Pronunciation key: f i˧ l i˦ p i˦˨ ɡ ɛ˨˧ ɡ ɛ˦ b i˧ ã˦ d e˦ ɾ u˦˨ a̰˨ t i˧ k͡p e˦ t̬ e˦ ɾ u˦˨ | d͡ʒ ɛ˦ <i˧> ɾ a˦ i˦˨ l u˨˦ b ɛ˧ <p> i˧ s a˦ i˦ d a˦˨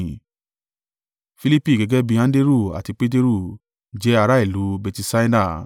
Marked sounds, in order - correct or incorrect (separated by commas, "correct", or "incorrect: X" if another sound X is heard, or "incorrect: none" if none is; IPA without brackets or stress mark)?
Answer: incorrect: a˧, incorrect: t